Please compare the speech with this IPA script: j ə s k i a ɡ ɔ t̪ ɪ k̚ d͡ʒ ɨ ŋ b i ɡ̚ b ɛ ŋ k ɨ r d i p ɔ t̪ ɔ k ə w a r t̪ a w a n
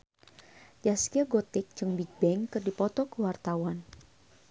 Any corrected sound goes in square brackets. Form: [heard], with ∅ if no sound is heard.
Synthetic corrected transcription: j [a] s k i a ɡ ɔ t̪ ɪ k̚ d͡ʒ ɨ ŋ b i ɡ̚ b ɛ ŋ k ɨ r d i p ɔ t̪ ɔ k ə w a r t̪ a w a n